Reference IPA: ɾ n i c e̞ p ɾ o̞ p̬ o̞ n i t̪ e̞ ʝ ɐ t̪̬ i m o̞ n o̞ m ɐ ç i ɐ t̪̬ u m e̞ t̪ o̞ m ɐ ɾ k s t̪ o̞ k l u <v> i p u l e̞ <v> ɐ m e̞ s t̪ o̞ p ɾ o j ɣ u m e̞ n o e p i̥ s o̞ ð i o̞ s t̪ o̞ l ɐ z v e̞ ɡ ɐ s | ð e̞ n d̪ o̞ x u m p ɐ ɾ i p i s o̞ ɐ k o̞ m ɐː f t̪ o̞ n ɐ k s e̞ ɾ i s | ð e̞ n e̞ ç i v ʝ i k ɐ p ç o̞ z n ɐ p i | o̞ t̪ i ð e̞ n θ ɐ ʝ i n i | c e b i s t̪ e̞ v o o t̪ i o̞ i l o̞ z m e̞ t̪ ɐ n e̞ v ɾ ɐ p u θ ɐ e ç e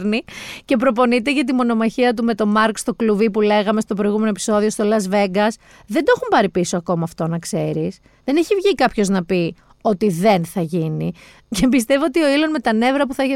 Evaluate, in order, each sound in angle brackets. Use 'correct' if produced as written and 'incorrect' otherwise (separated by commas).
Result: correct, incorrect